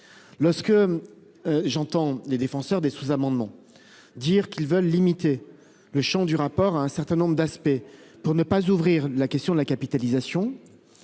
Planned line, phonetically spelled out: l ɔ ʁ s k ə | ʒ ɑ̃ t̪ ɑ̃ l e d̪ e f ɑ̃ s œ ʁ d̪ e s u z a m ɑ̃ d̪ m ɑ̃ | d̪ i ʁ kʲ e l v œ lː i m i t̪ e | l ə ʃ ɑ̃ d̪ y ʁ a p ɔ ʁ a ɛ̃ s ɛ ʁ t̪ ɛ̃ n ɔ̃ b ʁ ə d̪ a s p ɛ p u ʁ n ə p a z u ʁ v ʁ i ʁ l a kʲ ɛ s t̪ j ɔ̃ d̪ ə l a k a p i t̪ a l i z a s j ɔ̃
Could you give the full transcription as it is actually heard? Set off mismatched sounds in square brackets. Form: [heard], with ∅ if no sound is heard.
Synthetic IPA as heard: l ɔ ʁ s k ə | ʒ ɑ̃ t̪ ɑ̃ l e d̪ e f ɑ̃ s œ ʁ d̪ e s u z a m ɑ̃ d̪ m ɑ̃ | d̪ i ʁ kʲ [i] l v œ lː i m i t̪ e | l ə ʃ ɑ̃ d̪ y ʁ a p ɔ ʁ a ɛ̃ s ɛ ʁ t̪ ɛ̃ n ɔ̃ b ʁ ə d̪ a s p ɛ p u ʁ n ə p a z u [∅] v ʁ i ʁ l a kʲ ɛ s t̪ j ɔ̃ d̪ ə l a k a p i t̪ a l i z a s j ɔ̃

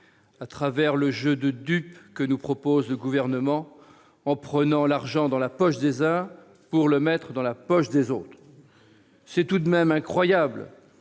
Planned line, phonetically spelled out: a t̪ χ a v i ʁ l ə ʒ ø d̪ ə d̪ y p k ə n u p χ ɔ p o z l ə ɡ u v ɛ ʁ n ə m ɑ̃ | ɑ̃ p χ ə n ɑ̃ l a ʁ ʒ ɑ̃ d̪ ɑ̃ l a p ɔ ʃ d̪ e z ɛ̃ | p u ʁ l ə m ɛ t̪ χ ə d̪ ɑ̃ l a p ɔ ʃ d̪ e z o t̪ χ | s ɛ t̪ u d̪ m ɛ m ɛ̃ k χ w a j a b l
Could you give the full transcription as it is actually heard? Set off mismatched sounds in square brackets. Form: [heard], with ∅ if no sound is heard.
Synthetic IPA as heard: a t̪ χ a v [ɛ] ʁ l ə ʒ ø d̪ ə d̪ y p k ə n u p χ ɔ p o z l ə ɡ u v ɛ ʁ n ə m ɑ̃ | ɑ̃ p χ ə n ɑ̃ l a ʁ ʒ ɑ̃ d̪ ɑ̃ l a p ɔ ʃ d̪ e z ɛ̃ | p u ʁ l ə m ɛ t̪ χ ə d̪ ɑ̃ l a p ɔ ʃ d̪ e z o t̪ χ | s ɛ t̪ u d̪ m ɛ m ɛ̃ k χ w a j a b l

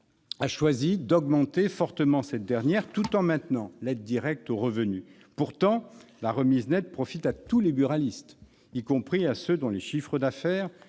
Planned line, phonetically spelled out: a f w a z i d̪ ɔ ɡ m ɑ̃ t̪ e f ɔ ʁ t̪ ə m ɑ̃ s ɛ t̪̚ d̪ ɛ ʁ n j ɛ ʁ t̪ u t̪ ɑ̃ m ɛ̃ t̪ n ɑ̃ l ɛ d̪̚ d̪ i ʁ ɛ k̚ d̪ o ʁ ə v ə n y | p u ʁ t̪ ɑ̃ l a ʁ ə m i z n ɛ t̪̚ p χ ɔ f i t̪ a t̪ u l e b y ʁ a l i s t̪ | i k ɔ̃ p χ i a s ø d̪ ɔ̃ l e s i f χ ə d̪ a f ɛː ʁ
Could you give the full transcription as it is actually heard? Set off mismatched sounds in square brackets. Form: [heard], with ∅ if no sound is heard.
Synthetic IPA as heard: a [ʃ] w a z i d̪ ɔ ɡ m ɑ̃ t̪ e f ɔ ʁ t̪ ə m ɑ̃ s ɛ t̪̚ d̪ ɛ ʁ n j ɛ ʁ t̪ u t̪ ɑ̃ m ɛ̃ t̪ n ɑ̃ l ɛ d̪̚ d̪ i ʁ ɛ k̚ [t̪] o ʁ ə v ə n y | p u ʁ t̪ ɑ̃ l a ʁ ə m i z n ɛ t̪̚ p χ ɔ f i t̪ a t̪ u l e b y ʁ a l i s t̪ | i k ɔ̃ p χ i a s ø d̪ ɔ̃ l e [ʃ] i f χ ə d̪ a f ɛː ʁ

